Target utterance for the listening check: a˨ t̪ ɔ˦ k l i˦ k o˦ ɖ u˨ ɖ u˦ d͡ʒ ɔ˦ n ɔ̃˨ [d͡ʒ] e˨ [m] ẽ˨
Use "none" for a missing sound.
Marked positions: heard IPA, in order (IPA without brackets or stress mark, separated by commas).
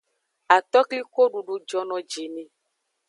d͡ʒ, n